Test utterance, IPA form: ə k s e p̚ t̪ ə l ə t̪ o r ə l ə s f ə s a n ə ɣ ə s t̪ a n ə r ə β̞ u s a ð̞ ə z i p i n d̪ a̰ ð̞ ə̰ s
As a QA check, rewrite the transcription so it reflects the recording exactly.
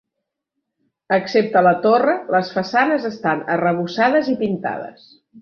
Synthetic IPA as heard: ə k s e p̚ t̪ ə l ə t̪ o r ə l ə s f ə s a n ə z ə s t̪ a n ə r ə β̞ u s a ð̞ ə z i p i n t̪ a̰ ð̞ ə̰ s